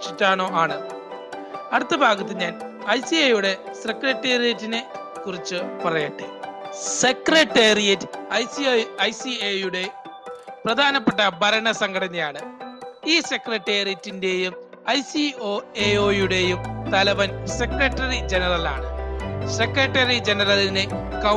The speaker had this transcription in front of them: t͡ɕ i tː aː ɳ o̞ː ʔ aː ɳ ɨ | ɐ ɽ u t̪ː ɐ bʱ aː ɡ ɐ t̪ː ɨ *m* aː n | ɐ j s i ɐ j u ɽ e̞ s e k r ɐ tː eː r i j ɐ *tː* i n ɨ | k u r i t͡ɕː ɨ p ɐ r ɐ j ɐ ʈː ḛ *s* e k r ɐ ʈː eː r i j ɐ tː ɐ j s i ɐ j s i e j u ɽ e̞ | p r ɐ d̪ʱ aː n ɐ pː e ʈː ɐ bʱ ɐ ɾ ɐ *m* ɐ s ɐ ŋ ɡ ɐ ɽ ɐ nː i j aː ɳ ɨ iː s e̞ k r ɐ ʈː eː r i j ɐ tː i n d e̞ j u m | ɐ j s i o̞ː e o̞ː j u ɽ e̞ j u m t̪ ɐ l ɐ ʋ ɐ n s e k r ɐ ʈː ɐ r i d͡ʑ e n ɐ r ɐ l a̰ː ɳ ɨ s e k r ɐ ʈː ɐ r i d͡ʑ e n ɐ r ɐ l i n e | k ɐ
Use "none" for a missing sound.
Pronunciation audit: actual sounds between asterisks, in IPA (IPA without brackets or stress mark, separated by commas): ɲ, tː, s, ɳ